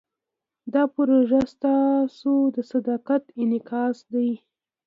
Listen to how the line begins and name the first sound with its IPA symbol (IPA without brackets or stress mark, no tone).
d̪